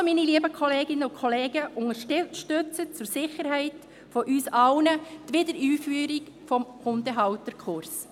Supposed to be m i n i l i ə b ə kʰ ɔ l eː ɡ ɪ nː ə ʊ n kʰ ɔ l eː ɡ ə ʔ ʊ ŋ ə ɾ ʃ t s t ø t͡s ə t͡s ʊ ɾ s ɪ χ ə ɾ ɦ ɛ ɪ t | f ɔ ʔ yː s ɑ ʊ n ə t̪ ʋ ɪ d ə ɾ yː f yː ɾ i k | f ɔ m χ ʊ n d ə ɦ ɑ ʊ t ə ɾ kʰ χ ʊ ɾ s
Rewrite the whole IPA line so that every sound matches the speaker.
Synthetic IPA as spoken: m i n i l i ə b ə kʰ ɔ l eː ɡ ɪ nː ə ʊ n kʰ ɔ l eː ɡ ə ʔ ʊ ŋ ə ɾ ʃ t ʃ t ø t͡s ə t͡s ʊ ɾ s ɪ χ ə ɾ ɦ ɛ ɪ t | f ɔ ʔ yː s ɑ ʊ n ə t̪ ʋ ɪ d ə ɾ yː f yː ɾ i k | f ɔ m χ ʊ n d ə ɦ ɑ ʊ t ə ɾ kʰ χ ʊ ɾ s